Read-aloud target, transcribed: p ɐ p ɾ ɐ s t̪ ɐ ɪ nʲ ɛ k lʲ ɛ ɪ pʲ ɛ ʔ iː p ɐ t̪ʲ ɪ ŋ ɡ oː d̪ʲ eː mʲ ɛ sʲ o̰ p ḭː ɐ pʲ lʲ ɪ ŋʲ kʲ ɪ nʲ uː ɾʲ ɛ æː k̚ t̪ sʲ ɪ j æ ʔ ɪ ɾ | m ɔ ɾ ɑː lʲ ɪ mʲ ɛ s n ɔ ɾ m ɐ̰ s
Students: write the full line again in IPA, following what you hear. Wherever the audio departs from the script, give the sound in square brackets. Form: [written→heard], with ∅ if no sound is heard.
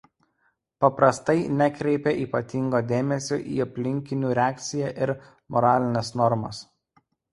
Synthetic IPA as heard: p ɐ p ɾ ɐ s t̪ ɐ ɪ nʲ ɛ k [lʲ→ɾʲ] ɛ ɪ pʲ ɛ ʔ iː p ɐ t̪ʲ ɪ ŋ ɡ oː d̪ʲ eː mʲ ɛ sʲ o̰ [p→ʔ] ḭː ɐ pʲ lʲ ɪ ŋʲ kʲ ɪ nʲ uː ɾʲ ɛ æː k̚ t̪ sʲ ɪ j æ ʔ ɪ ɾ | m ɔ ɾ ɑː lʲ ɪ [mʲ→nʲ] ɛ s n ɔ ɾ m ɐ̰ s